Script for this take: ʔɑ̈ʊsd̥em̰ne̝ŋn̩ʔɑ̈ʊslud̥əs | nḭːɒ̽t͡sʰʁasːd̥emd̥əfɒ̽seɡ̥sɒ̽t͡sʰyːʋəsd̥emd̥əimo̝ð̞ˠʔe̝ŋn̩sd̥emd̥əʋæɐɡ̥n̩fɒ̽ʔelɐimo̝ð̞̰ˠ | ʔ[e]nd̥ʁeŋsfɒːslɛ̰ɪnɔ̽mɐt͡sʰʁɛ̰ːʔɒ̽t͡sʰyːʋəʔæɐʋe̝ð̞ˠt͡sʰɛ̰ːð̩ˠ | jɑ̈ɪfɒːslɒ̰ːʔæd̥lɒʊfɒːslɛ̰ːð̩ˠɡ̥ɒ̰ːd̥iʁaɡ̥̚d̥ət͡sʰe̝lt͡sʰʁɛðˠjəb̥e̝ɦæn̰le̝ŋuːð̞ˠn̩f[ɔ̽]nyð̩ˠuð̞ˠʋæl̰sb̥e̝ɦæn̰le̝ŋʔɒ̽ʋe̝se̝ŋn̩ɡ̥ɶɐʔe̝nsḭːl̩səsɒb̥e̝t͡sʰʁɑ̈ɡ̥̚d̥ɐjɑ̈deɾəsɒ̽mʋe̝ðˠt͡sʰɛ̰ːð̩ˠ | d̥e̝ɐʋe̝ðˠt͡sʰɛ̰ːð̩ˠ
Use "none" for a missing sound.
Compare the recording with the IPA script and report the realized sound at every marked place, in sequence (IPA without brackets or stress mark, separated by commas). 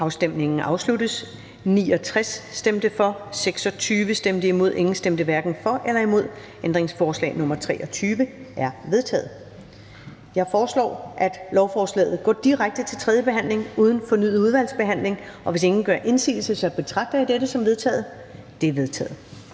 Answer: e, ɒ̽